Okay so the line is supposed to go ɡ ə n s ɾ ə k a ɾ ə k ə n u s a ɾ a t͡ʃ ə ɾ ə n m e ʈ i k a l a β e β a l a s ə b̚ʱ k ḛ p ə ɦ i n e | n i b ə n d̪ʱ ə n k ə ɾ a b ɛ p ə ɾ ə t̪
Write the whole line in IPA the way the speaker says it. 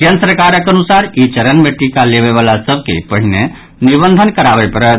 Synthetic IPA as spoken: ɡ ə n s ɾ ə k a ɾ ə k ə n u s a ɾ i t͡ʃ ə ɾ ə n m e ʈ i k a l e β e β a l a s ə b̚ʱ k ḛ p ə ɦ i n e | n i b ə n d̪ʱ ə n k ə ɾ a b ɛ p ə ɾ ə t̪